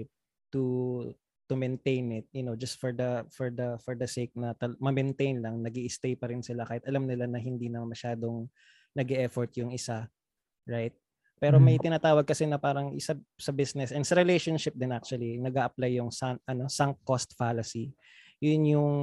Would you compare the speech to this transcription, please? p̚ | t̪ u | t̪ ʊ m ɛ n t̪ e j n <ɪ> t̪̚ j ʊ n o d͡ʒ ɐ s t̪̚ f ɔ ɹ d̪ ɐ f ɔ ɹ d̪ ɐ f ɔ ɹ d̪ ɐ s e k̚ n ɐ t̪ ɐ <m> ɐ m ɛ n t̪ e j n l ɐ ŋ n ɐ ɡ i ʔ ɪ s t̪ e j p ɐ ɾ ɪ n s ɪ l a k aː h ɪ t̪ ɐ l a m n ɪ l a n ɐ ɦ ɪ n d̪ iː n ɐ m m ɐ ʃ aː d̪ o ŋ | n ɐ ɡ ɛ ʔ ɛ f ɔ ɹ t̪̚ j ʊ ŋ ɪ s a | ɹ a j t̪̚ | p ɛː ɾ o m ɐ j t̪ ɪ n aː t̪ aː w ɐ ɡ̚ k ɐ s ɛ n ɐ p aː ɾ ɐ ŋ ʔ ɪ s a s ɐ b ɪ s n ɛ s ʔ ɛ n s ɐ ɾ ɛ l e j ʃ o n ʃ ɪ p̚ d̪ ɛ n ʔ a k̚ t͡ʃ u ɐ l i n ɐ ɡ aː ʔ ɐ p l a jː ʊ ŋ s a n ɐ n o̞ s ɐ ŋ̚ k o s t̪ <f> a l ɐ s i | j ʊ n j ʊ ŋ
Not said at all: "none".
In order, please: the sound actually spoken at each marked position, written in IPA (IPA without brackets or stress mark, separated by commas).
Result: ɪ, m, f